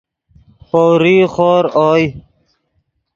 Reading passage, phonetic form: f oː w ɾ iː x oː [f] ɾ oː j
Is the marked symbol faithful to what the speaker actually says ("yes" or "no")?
no